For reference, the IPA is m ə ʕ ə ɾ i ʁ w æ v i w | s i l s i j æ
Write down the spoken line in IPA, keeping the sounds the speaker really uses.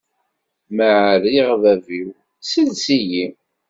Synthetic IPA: m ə ʕ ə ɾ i ʁ v æ v i w | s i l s i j i